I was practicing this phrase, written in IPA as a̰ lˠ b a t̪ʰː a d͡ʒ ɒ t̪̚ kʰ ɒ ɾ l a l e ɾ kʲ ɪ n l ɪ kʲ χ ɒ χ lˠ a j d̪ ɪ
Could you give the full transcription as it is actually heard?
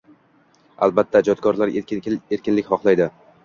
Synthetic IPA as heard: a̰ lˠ b a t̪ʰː a d͡ʒ ɒ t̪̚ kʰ ɒ ɾ l a ɾ e ɾ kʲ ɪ n l ɪ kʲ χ ɒ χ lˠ a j d̪ ɪ